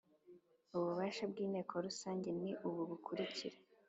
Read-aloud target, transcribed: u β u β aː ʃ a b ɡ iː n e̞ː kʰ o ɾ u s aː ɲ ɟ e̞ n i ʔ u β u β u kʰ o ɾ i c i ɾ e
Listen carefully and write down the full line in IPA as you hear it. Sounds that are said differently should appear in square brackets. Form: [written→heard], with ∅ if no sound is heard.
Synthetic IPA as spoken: u β u β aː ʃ a b ɡ iː n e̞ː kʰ o ɾ u s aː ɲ ɟ e̞ n i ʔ u β u β u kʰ [o→u] ɾ i c i ɾ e